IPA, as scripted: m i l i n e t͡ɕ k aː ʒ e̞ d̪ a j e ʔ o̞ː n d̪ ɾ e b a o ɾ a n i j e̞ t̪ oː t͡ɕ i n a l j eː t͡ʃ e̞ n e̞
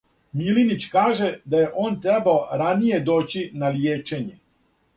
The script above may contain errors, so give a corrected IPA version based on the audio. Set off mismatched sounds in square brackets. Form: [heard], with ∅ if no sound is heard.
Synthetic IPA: m i l i n [i] t͡ɕ k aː ʒ e̞ d̪ a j e ʔ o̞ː n [t̪] ɾ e b a o ɾ a n i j e̞ [d̪] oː t͡ɕ i n a l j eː t͡ʃ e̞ [ɲ] e̞